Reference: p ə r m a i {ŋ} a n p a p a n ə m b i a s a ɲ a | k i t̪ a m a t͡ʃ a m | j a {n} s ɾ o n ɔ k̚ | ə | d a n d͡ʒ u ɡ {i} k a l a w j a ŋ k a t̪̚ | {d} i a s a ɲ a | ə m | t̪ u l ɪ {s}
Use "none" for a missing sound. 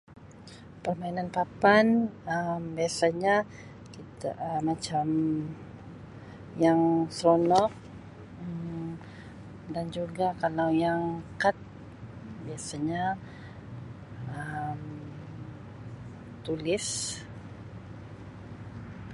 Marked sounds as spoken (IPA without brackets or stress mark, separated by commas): n, ŋ, a, b, s